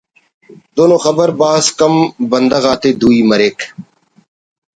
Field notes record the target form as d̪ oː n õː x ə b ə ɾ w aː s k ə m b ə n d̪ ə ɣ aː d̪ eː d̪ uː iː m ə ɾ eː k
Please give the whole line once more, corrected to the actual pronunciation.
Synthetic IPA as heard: d̪ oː n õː x ə b ə ɾ b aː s k ə m b ə n d̪ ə ɣ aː t̪ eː d̪ uː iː m ə ɾ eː k